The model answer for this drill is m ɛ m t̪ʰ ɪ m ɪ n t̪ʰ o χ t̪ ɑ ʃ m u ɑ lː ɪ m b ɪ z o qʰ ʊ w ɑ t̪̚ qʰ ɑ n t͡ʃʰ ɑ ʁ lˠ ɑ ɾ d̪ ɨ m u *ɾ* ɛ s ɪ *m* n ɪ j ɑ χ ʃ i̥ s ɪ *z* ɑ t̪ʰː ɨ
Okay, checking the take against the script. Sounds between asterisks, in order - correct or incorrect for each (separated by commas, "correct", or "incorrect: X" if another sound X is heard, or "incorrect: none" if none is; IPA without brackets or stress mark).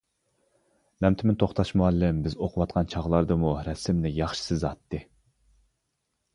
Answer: correct, correct, correct